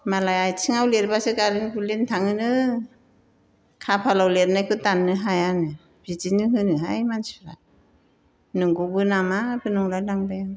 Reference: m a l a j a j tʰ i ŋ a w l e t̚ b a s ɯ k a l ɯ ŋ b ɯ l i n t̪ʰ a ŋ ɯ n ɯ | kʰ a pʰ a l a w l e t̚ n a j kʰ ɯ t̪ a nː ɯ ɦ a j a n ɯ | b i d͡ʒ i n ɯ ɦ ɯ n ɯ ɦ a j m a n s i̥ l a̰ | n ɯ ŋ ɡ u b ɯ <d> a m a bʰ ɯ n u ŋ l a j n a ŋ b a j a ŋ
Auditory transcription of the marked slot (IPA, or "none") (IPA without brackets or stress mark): n